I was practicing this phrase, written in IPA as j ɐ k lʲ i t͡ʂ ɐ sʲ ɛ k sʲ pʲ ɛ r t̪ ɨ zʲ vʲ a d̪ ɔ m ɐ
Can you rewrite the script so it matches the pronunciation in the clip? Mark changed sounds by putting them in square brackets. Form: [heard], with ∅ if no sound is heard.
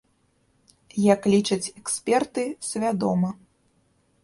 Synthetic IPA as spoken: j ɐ k lʲ i t͡ʂ ɐ [t͡sʲ] ɛ k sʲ pʲ ɛ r t̪ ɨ [sʲ] vʲ a d̪ ɔ m ɐ

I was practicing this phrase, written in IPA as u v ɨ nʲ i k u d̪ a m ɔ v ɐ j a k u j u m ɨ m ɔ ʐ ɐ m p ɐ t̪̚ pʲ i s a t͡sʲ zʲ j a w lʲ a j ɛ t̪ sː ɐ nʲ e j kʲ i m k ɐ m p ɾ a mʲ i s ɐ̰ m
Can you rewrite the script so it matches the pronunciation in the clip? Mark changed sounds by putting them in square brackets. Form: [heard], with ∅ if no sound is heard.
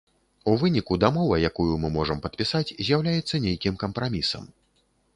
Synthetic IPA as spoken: u v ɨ nʲ i k u d̪ a m ɔ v ɐ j a k u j u m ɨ m ɔ ʐ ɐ m p ɐ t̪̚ pʲ i s a t͡sʲ zʲ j a w lʲ a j ɛ t̪ sː ɐ nʲ e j kʲ i m k ɐ m p ɾ a mʲ i s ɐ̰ m

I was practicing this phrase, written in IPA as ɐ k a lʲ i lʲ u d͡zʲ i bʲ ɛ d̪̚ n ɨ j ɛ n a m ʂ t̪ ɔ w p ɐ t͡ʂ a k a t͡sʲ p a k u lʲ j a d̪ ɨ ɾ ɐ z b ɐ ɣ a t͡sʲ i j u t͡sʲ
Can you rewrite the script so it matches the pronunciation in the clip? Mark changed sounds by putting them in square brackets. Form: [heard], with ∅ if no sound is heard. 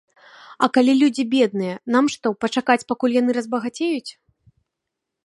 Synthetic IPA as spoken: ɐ k a lʲ i lʲ u d͡zʲ i bʲ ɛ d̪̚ n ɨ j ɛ n a m ʂ t̪ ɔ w p ɐ t͡ʂ a k a t͡sʲ p a k u lʲ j a [n̪] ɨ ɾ ɐ z b ɐ ɣ a t͡sʲ [e] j u t͡sʲ

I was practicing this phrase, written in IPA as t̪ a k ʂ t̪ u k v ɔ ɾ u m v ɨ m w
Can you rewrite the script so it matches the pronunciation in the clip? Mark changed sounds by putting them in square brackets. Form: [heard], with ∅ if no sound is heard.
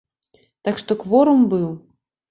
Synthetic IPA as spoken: t̪ a k ʂ t̪ [ɔ] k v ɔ ɾ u m [b] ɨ [∅] w

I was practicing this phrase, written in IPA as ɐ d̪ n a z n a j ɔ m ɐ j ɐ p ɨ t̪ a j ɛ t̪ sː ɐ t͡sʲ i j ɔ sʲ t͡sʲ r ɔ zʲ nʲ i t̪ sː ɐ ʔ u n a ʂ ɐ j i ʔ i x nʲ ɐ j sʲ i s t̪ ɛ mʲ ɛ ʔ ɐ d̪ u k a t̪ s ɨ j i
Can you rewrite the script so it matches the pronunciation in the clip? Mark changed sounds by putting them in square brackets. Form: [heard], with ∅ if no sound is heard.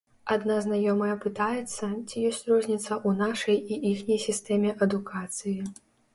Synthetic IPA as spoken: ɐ d̪ n a z n a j ɔ m ɐ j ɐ p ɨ t̪ a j ɛ t̪ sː ɐ t͡sʲ i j ɔ sʲ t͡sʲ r ɔ zʲ nʲ i t̪ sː ɐ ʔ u n a ʂ ɐ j i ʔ i x nʲ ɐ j sʲ i s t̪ ɛ mʲ ɛ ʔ ɐ d̪ u k a t̪ s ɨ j i

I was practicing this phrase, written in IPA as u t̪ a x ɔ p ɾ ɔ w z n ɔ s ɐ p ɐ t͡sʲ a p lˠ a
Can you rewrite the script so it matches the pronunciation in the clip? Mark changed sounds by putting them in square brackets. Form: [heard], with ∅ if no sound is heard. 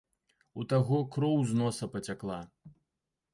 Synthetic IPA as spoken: u t̪ a [ɣ] ɔ [k] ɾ ɔ w z n ɔ s ɐ p ɐ t͡sʲ a [k] lˠ a

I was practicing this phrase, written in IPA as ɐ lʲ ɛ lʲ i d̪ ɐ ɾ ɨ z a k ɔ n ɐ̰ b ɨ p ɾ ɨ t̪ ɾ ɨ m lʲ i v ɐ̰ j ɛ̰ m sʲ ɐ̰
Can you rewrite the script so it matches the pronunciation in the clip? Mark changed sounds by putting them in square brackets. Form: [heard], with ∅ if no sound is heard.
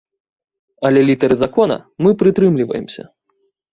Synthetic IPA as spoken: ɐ lʲ ɛ lʲ i [t̪] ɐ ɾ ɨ z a k ɔ n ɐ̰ [m] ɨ p ɾ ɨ t̪ ɾ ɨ m lʲ i v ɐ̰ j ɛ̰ m sʲ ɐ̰

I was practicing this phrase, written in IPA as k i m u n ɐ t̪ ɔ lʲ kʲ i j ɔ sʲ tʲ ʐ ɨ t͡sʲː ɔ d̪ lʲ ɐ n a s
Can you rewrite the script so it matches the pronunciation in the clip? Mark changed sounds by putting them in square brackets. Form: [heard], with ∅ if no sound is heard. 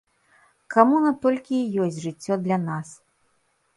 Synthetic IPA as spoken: k [a] m u n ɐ t̪ ɔ lʲ kʲ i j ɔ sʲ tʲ ʐ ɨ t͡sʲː ɔ d̪ lʲ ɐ n a s

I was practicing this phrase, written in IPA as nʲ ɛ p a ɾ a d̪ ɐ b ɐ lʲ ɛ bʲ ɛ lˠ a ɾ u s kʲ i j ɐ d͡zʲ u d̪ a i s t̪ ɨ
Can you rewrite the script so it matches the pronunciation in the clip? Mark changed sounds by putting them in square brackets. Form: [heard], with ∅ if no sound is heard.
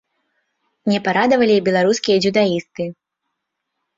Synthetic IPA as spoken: nʲ ɛ p a ɾ a d̪ ɐ [v] ɐ lʲ [i] bʲ ɛ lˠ a ɾ u s kʲ i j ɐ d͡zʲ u d̪ a i s t̪ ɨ

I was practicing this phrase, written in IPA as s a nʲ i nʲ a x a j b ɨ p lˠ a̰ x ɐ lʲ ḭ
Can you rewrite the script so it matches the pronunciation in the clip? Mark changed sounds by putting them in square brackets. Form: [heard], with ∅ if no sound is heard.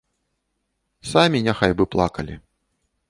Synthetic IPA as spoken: s a [mʲ] i nʲ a x a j b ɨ p lˠ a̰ [k] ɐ lʲ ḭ

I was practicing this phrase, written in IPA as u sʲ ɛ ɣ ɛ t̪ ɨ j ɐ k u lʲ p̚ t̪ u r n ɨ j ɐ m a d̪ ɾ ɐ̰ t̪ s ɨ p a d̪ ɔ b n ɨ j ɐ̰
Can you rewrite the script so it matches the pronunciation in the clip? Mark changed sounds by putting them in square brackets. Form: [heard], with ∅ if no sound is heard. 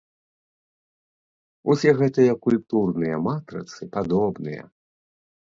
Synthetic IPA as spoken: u sʲ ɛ ɣ ɛ t̪ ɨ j ɐ k u lʲ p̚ t̪ u r n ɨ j ɐ m a [t̪] ɾ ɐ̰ t̪ s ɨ p a d̪ ɔ b n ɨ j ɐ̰

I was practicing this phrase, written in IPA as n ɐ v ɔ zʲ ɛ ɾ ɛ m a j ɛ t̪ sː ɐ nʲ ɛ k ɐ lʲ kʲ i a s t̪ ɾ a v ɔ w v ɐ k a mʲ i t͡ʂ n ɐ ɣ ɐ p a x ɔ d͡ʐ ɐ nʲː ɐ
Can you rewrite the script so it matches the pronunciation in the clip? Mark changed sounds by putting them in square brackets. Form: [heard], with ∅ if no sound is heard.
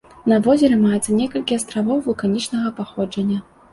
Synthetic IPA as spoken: n ɐ v ɔ zʲ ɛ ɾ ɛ m a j ɛ t̪ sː ɐ nʲ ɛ k ɐ lʲ kʲ i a s t̪ ɾ a v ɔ w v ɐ k a [nʲ] i t͡ʂ n ɐ ɣ ɐ p a x ɔ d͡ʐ ɐ nʲː ɐ

